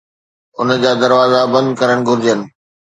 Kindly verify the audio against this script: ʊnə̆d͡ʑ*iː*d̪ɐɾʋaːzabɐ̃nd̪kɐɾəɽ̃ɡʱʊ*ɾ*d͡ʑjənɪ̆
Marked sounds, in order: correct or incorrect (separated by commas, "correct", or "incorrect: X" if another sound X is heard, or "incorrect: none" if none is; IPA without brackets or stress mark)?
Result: incorrect: aː, correct